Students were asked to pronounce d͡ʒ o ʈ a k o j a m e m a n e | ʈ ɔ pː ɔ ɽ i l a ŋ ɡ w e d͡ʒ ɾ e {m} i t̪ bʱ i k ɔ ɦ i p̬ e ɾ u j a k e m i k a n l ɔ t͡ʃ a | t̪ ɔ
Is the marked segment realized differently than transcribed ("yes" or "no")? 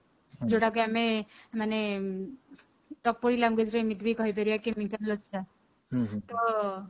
no